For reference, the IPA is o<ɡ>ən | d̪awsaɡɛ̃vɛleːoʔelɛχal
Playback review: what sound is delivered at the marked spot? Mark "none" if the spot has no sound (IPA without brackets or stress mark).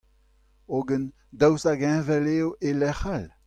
ɡ